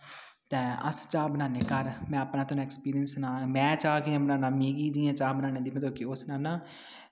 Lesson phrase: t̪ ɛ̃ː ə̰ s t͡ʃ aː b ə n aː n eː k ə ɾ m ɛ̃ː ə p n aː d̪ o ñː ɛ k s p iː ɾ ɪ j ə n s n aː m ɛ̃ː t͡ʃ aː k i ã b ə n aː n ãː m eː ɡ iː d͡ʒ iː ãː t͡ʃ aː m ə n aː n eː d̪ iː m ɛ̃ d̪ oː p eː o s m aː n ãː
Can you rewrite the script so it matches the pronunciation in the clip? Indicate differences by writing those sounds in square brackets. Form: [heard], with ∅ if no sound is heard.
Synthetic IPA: t̪ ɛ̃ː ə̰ s t͡ʃ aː b ə n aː n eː k ə ɾ m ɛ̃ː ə p n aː [t̪] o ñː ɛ k s p iː ɾ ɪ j ə n s n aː m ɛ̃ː t͡ʃ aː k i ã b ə n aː n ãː m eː ɡ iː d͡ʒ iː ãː t͡ʃ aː [b] ə n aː n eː d̪ iː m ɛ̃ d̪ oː [k] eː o s [n] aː n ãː

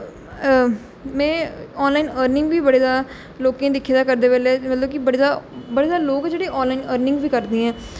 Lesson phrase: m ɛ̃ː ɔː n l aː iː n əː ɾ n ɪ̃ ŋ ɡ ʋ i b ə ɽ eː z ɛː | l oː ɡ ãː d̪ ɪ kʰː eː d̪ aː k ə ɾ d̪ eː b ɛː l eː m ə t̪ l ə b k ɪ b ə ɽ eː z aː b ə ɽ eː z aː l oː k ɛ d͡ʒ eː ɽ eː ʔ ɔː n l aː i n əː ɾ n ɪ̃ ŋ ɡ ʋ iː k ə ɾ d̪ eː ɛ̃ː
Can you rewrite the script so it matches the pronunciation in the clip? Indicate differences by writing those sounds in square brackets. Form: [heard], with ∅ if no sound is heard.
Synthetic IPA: m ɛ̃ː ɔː n l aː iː n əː ɾ n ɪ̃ ŋ ɡ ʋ [iː] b ə ɽ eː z [aː] | l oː [k] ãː d̪ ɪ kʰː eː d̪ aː k ə ɾ d̪ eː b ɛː l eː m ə t̪ l ə b k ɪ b ə ɽ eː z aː b ə ɽ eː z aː l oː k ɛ d͡ʒ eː ɽ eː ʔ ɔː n l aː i n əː ɾ n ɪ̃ ŋ ɡ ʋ iː k ə ɾ d̪ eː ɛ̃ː

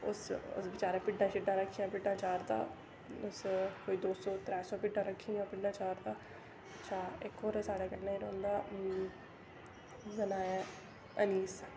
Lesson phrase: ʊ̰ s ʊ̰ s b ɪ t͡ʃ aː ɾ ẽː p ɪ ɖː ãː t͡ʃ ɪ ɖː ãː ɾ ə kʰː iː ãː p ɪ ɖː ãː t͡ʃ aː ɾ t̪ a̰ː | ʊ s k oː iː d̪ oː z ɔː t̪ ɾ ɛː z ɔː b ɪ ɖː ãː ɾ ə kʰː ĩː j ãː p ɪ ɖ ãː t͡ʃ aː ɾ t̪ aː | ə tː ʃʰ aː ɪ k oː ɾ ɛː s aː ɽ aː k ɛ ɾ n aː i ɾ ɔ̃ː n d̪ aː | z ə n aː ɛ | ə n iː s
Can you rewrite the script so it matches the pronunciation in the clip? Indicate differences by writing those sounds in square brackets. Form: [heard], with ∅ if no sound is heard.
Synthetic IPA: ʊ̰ s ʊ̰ s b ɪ t͡ʃ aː ɾ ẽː p ɪ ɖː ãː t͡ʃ ɪ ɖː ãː ɾ ə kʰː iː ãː p ɪ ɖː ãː t͡ʃ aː ɾ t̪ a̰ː | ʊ s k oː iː d̪ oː [s] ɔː t̪ ɾ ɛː [s] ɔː [p] ɪ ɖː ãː ɾ ə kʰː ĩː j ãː p ɪ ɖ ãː t͡ʃ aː ɾ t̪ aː | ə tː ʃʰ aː ɪ k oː ɾ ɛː s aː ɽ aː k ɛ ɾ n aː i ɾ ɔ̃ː n d̪ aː | z ə n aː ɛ | ə n iː s

